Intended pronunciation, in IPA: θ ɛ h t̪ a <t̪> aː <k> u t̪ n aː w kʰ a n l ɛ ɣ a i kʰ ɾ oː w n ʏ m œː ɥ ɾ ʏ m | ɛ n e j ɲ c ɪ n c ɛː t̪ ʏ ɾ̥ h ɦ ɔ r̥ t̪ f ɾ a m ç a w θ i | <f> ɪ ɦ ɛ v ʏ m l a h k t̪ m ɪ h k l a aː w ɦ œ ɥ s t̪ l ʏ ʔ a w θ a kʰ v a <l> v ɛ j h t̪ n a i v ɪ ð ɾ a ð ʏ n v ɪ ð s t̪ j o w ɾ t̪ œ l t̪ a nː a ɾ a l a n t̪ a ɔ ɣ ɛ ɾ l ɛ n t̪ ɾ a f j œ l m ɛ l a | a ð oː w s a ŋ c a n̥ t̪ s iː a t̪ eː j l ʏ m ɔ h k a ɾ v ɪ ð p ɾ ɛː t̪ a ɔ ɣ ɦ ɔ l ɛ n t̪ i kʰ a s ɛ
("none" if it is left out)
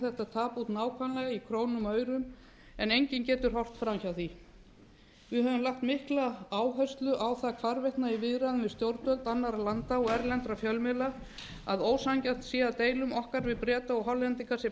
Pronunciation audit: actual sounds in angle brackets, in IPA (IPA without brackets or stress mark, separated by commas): t̪ʰ, p, v, ɾ